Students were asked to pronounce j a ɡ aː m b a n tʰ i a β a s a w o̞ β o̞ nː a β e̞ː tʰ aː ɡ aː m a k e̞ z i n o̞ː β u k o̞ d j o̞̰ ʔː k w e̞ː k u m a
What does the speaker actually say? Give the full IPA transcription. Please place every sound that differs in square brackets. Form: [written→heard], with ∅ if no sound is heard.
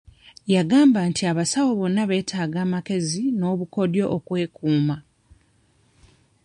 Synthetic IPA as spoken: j a ɡ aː m b a n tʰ i a β a s a w o̞ β o̞ nː a β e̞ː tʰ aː ɡ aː m a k e̞ z i n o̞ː β u k o̞ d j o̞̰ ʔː k w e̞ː k [u→uː] m a

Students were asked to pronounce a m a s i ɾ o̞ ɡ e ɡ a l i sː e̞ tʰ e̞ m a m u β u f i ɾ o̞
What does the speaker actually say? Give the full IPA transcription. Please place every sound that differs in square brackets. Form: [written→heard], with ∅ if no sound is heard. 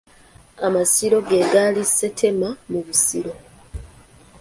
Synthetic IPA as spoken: a m a s i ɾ o̞ ɡ e ɡ a l i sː e̞ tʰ e̞ m a m u β u [f→s] i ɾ o̞

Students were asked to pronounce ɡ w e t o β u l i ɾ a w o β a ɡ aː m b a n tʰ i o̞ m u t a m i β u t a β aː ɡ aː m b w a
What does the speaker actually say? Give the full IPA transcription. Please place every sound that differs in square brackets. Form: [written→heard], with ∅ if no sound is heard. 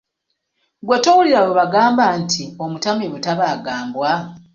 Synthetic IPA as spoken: ɡ w e t o [β→w] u l i ɾ a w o β a ɡ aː m b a n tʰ i o̞ m u t a m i β u t a β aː ɡ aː m b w a

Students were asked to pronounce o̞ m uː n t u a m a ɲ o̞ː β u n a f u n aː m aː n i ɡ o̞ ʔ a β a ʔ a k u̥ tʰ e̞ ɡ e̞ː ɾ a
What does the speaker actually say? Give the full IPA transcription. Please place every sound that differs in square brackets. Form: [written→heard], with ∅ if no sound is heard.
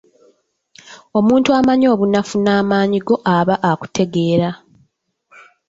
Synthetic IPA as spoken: o̞ m uː n t u a m a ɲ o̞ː β u n a f u n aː m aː [n→ɲ] i ɡ o̞ ʔ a β a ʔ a k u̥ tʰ e̞ ɡ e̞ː ɾ a

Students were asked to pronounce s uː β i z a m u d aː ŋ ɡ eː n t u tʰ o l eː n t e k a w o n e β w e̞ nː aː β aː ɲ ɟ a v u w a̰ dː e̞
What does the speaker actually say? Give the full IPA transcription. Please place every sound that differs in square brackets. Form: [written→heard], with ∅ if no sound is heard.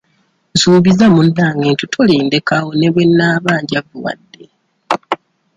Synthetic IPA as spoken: s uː β i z a m u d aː ŋ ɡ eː n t u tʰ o l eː n [t→d] e k a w o n e β w e̞ nː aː β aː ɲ ɟ a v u w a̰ dː e̞

